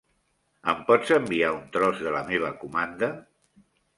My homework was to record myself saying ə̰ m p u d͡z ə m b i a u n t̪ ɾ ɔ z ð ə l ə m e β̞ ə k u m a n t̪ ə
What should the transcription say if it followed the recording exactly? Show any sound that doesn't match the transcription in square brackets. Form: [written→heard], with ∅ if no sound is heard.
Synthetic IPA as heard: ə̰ m p [u→ɔ] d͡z ə m b i a u n t̪ ɾ ɔ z ð ə l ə m e β̞ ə k u m a n [t̪→d̪] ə